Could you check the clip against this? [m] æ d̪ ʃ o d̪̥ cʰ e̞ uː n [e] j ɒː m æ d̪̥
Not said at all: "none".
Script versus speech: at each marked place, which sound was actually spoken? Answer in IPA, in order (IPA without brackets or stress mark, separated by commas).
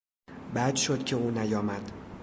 b, æ